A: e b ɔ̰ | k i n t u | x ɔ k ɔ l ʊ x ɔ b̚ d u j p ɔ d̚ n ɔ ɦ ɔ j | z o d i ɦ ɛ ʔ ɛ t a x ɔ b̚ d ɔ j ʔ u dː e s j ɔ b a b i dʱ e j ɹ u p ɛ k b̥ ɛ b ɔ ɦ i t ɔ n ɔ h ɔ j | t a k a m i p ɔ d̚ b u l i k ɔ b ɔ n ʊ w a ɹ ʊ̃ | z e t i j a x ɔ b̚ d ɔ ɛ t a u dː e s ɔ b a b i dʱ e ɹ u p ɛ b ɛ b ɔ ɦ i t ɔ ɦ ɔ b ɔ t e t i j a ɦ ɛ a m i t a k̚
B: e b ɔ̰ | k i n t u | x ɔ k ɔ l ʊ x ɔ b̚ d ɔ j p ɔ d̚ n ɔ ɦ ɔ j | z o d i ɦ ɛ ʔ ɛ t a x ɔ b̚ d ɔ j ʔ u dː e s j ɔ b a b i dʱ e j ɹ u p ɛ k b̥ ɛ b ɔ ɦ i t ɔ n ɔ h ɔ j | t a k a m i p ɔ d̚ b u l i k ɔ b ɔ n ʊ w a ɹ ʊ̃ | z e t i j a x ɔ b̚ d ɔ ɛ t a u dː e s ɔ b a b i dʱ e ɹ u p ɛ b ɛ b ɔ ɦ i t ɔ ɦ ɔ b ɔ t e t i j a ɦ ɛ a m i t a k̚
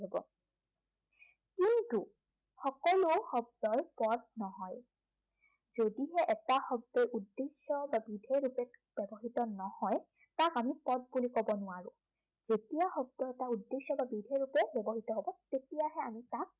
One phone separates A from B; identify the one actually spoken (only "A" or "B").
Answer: B